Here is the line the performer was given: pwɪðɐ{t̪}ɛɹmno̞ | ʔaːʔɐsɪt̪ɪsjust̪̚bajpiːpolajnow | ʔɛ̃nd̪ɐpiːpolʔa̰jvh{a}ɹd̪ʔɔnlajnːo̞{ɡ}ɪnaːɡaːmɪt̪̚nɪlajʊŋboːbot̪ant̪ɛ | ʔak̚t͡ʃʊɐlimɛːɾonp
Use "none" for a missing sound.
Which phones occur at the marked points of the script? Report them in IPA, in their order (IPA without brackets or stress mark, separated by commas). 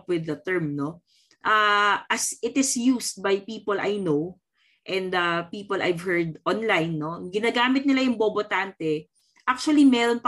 t̪, ɛ, ɡ